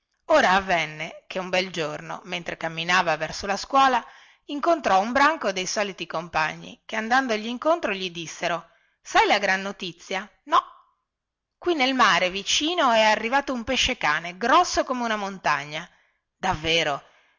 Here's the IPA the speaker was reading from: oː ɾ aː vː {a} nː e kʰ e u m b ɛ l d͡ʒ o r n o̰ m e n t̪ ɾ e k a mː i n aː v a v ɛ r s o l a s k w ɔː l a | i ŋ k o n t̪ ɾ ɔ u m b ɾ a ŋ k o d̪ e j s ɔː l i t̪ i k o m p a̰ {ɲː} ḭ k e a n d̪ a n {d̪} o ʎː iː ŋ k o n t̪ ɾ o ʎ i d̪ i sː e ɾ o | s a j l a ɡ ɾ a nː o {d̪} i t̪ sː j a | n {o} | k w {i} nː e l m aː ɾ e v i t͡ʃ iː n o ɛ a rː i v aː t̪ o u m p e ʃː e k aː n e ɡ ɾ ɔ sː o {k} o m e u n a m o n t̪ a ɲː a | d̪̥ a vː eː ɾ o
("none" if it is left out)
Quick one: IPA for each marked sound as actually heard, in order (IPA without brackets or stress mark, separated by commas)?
ɛ, ɲː, d̪, t̪, ɔ, i, k